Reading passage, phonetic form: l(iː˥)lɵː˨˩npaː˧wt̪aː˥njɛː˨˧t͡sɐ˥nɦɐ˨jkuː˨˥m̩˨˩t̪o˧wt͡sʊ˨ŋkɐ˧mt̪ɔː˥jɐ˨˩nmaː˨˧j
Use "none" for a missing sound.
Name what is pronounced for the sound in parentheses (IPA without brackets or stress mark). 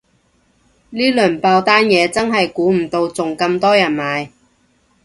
iː˥